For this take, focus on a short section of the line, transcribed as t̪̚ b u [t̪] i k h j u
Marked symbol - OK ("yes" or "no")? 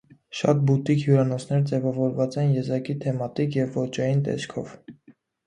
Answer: yes